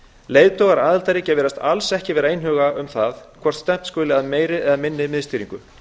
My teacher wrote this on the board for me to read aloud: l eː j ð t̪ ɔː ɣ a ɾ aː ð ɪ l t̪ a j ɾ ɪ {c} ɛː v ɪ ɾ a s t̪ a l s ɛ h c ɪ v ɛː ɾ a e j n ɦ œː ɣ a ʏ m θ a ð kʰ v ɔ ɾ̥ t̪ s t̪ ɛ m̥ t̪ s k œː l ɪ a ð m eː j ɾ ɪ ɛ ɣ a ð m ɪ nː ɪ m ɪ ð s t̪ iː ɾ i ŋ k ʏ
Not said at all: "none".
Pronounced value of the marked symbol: c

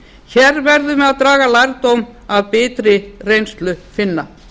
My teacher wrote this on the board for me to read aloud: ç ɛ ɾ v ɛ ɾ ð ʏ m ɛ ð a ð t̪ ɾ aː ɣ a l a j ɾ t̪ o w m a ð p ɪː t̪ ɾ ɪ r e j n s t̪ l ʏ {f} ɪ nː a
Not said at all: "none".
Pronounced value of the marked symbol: f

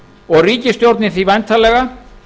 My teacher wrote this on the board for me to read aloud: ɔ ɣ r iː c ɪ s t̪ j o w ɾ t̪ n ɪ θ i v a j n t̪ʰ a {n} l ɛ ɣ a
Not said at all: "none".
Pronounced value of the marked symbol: none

